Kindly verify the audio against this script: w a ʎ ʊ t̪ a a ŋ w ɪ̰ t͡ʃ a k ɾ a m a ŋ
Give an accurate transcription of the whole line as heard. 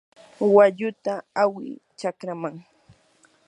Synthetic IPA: w a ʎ ʊ t̪ a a w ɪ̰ t͡ʃ a k ɾ a m a ŋ